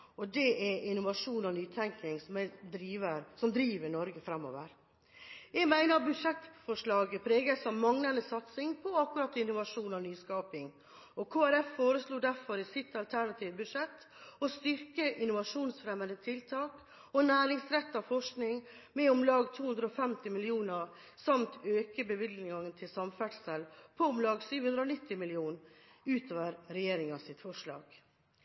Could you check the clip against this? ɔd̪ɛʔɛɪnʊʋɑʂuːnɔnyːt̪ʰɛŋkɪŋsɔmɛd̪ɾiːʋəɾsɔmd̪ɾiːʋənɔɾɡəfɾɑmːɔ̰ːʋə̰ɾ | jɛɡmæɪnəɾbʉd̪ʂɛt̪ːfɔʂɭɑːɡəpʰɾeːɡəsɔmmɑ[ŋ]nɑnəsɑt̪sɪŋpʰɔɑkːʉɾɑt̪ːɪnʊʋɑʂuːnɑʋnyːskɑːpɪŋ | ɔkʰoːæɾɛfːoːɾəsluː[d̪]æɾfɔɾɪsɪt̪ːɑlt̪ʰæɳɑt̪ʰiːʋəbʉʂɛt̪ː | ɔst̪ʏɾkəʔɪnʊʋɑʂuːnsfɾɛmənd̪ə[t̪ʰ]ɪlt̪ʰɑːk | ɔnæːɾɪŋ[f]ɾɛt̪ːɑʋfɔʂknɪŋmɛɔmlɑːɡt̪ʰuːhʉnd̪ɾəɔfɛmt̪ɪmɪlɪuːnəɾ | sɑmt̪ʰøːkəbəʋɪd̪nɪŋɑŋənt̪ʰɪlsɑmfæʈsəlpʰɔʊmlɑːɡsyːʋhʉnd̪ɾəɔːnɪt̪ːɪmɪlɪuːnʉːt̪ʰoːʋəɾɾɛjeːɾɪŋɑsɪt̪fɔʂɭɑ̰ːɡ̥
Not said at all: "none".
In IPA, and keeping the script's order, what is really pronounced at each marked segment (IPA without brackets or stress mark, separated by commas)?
ŋ, d̪, t̪ʰ, s